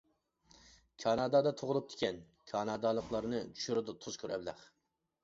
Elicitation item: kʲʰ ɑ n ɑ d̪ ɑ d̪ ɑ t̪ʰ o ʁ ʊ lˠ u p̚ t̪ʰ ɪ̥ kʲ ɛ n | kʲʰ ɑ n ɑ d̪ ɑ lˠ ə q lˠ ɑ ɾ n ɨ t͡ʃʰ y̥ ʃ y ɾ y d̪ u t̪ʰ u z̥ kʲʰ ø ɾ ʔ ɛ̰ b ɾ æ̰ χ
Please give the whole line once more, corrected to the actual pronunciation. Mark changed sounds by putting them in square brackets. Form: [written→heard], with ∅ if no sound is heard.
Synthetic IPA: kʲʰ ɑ n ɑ d̪ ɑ d̪ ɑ t̪ʰ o ʁ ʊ lˠ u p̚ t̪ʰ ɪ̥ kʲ ɛ n | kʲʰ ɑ n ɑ d̪ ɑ lˠ ə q lˠ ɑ ɾ n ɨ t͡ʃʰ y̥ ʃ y ɾ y d̪ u t̪ʰ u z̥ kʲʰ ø ɾ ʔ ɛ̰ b [ɾ→l] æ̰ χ